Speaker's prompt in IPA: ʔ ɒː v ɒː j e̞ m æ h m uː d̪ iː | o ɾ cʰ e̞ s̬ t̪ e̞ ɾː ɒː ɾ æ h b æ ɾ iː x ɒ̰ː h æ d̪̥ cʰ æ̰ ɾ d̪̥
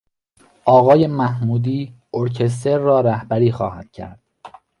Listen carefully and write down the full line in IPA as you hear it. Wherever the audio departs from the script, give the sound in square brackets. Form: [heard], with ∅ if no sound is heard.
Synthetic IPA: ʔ ɒː [ɣ] ɒː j e̞ m æ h m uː d̪ iː | o ɾ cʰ e̞ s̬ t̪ e̞ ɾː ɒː ɾ æ h b æ ɾ iː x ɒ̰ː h æ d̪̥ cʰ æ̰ ɾ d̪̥